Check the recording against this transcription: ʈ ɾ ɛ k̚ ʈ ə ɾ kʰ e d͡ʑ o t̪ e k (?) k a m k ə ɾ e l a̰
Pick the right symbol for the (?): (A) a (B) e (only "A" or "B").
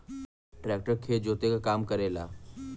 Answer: A